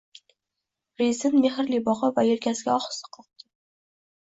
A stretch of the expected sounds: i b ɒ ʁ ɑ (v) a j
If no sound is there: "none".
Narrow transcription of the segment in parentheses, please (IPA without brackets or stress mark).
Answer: v